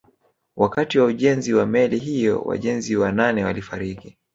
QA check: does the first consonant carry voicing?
yes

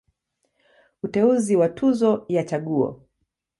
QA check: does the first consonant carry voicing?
no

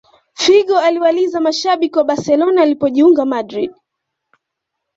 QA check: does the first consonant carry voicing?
no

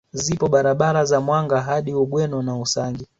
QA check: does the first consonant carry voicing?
yes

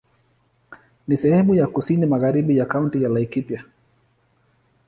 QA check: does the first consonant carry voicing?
yes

